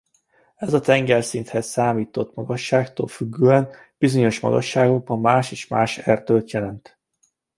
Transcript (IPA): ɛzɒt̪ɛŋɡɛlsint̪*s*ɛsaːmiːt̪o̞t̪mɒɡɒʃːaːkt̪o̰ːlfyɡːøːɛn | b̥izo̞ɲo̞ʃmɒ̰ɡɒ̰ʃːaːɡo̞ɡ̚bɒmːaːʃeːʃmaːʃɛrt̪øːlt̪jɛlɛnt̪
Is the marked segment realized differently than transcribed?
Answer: yes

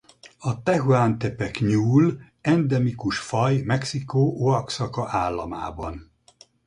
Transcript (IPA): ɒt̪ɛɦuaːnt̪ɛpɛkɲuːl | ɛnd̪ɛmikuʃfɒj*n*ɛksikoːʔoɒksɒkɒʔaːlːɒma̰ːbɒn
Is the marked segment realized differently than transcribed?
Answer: yes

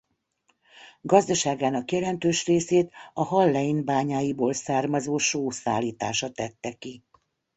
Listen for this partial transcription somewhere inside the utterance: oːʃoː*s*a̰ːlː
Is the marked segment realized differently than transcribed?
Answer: no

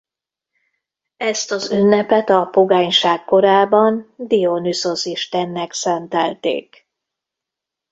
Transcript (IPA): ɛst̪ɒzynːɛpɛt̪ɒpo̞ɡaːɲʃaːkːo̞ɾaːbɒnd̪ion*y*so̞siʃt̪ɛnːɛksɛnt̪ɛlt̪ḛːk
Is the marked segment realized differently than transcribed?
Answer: no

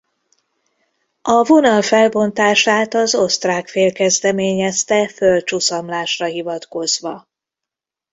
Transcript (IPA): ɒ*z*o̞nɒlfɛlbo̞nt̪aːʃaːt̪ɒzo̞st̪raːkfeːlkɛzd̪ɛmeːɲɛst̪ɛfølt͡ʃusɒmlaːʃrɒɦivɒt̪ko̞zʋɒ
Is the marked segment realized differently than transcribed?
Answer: yes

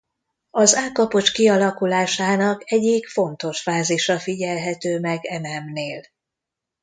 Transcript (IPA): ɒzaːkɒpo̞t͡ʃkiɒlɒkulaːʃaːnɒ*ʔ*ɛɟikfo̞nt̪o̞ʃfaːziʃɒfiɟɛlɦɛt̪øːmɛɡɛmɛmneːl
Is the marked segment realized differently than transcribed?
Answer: yes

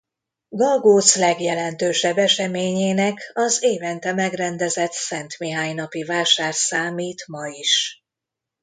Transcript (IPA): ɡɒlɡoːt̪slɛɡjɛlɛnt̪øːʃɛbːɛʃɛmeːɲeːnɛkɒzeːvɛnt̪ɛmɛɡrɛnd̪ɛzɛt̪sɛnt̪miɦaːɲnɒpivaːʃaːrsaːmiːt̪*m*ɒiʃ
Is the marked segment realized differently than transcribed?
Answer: no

